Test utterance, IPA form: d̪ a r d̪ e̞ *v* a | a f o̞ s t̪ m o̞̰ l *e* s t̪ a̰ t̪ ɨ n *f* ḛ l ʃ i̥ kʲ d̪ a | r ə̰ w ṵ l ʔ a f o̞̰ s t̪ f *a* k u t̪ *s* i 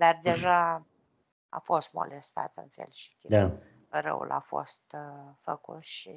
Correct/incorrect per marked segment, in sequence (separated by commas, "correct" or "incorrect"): incorrect, correct, correct, incorrect, incorrect